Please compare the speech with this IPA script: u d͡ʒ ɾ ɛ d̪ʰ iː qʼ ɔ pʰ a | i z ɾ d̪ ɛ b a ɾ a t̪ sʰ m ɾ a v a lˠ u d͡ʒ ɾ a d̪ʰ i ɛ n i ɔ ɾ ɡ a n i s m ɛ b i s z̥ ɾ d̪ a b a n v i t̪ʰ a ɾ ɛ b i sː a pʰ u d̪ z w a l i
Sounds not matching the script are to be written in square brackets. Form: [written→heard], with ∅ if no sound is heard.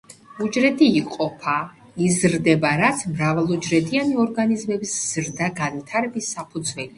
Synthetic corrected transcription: u d͡ʒ ɾ ɛ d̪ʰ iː qʼ ɔ pʰ a | i z ɾ d̪ ɛ b a ɾ a t̪ sʰ m ɾ a v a lˠ u d͡ʒ ɾ [a→ɛ] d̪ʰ i [ɛ→a] n i ɔ ɾ ɡ a n i [s→z] m ɛ b i s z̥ ɾ d̪ a [b→ɡ] a n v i t̪ʰ a ɾ ɛ b i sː a pʰ u d̪ z w [a→ɛ] l i